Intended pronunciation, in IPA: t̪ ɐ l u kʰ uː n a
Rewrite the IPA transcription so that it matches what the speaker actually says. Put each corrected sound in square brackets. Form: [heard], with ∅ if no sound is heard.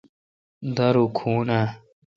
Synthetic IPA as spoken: [d̪] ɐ [ɾ] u kʰ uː n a